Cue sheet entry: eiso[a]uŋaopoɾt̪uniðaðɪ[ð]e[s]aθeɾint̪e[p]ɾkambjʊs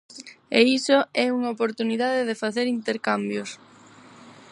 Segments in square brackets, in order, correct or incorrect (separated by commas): incorrect, correct, incorrect, incorrect